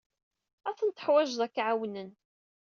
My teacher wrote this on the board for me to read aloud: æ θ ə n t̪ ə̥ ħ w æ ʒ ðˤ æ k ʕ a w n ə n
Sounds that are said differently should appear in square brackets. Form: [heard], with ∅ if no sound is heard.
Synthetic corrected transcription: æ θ ə n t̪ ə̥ ħ w æ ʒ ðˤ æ k ʕ a w n ə n

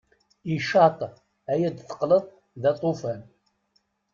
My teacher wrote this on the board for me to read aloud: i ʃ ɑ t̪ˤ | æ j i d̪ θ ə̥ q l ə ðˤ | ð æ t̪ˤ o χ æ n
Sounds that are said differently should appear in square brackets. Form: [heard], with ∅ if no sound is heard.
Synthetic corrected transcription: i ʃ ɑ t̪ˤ | æ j [æ] d̪ θ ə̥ q l ə ðˤ | ð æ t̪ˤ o [f] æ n

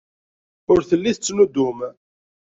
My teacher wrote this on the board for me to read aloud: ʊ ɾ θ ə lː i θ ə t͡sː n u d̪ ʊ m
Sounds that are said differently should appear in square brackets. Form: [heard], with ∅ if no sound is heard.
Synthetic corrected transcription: ʊ ɾ θ ə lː i θ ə t͡sː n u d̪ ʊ m

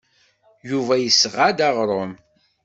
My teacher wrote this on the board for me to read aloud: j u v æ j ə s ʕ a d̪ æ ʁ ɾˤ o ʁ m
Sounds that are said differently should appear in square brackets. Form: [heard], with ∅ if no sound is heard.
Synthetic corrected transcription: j u v æ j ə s [ʁ] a d̪ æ ʁ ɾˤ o [∅] m

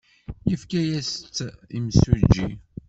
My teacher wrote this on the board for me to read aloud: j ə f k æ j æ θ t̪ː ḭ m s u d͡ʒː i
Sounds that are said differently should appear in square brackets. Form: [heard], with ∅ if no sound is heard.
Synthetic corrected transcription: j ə f k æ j æ [s] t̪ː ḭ m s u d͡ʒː i

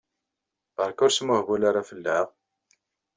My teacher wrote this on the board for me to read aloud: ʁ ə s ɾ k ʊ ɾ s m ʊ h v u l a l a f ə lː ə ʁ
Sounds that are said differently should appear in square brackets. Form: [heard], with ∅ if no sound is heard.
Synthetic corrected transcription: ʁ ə [∅] ɾ k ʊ ɾ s m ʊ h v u l a [ɾ] a f ə lː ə ʁ

